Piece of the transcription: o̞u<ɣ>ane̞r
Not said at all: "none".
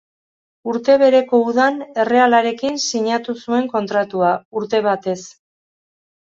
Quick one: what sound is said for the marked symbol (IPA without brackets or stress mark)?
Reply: ð